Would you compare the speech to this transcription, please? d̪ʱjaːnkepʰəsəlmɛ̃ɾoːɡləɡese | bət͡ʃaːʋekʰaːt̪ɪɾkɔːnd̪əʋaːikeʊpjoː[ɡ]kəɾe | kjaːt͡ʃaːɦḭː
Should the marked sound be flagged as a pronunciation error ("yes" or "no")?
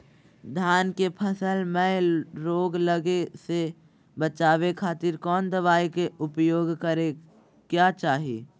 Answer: no